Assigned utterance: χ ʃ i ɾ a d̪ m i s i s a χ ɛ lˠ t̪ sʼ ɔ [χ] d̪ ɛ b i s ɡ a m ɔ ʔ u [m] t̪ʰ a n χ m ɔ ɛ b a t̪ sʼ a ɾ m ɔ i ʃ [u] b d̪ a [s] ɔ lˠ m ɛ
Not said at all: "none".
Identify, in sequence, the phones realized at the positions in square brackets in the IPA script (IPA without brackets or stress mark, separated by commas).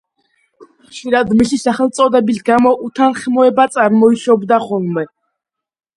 none, none, ɔ, χ